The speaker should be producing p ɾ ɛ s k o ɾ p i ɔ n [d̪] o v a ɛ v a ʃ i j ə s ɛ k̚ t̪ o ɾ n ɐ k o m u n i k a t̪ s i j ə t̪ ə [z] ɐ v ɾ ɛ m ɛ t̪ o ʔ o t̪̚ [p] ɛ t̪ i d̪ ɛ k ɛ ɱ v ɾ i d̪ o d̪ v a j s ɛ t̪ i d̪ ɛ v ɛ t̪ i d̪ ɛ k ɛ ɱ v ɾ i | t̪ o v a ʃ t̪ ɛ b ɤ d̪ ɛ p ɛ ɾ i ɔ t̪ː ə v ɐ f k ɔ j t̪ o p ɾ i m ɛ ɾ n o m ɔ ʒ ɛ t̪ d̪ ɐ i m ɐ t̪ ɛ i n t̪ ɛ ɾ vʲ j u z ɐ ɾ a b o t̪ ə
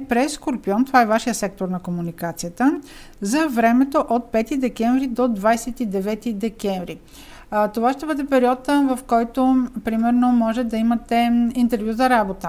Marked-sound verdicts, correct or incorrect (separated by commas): incorrect, correct, correct